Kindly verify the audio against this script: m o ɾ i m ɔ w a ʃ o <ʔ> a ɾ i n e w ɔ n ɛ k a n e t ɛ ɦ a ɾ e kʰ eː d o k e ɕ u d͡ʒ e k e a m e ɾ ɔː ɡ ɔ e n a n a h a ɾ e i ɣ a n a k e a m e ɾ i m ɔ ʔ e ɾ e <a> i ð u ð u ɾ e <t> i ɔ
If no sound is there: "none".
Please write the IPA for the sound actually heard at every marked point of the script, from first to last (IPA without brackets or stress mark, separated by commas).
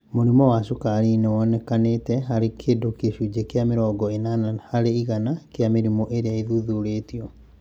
k, a, t